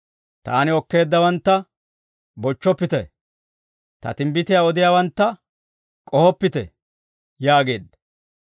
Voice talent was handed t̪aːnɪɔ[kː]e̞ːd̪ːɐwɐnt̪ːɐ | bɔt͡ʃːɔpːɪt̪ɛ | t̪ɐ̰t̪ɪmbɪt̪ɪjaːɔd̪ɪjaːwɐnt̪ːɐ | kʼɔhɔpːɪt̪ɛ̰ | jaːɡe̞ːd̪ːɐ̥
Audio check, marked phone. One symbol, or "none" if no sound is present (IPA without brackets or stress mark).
kː